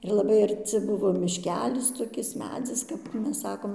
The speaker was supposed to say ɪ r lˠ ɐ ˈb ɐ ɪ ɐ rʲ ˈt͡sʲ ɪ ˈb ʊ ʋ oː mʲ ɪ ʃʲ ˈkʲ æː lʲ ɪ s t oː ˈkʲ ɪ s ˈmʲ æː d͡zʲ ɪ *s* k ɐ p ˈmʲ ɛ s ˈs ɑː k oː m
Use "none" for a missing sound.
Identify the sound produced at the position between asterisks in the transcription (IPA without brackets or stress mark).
s